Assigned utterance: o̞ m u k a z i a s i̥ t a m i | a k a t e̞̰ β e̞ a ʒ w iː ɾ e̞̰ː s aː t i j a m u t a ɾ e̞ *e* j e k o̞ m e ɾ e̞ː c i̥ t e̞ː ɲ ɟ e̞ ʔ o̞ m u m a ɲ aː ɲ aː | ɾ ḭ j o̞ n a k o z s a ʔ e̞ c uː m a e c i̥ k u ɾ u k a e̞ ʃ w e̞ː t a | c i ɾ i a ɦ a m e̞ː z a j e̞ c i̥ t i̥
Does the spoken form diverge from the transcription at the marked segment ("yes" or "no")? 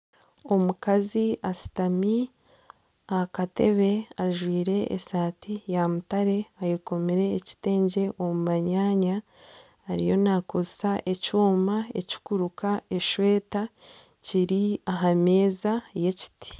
yes